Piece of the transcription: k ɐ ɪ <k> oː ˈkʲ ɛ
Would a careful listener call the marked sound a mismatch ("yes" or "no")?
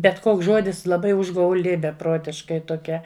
yes